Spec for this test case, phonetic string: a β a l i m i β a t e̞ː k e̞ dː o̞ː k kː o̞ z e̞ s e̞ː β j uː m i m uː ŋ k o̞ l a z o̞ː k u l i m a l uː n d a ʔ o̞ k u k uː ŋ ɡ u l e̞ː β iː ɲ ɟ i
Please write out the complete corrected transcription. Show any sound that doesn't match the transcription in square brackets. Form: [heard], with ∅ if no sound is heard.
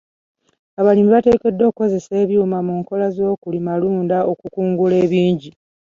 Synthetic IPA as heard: a β a l i m i β a t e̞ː k e̞ dː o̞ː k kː o̞ z e̞ s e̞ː β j uː m [a] m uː ŋ k o̞ l a z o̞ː k u l i m a l uː n d a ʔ o̞ k u k uː ŋ ɡ u l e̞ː β iː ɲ ɟ i